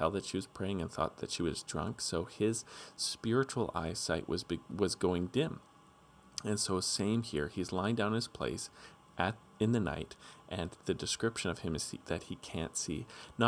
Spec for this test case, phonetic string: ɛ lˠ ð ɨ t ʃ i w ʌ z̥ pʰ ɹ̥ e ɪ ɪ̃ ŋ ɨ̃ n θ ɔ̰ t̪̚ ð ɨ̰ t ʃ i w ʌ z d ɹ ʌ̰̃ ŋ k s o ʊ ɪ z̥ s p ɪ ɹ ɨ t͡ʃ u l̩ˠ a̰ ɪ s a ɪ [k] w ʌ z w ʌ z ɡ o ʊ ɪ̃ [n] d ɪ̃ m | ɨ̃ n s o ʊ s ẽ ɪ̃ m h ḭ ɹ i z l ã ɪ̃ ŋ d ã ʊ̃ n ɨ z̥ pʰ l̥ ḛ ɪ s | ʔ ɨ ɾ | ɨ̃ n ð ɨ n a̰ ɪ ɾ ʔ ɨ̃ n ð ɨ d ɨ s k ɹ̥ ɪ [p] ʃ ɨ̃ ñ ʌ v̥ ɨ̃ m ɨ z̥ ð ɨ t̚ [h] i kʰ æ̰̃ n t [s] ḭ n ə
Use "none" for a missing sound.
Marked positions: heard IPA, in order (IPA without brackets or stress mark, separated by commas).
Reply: ʔ, ŋ, p, h, s